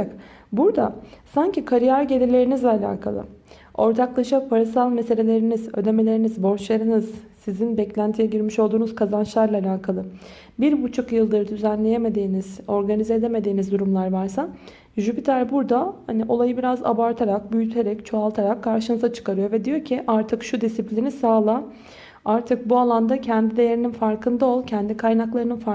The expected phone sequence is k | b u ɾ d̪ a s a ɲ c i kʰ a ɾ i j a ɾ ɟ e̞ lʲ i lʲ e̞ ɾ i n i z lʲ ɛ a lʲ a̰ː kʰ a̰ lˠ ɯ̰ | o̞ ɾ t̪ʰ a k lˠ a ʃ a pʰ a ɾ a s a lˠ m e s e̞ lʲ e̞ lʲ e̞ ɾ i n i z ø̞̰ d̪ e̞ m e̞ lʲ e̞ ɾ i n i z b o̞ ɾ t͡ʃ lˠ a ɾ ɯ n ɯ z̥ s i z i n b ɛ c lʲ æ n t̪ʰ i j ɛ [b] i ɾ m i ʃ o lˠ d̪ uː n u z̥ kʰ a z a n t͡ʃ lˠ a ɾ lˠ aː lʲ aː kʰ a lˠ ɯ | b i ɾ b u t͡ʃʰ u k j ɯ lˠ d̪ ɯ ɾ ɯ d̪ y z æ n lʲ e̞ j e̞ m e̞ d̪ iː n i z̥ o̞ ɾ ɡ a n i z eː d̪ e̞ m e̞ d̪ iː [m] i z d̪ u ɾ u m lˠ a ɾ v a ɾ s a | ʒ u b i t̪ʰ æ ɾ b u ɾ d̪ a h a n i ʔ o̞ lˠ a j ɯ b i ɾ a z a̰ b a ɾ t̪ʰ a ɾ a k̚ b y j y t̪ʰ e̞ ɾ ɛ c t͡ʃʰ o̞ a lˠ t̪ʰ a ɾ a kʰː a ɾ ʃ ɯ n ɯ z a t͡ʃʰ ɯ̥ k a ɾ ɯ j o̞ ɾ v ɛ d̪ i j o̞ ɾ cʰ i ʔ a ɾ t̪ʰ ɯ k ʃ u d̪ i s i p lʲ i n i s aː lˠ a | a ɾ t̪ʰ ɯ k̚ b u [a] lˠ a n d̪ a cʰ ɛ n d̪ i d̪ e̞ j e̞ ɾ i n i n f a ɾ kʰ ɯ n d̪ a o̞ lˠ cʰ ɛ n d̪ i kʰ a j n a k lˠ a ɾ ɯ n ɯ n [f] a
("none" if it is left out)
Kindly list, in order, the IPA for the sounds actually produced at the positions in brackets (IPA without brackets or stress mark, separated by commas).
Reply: ɟ, n, a, f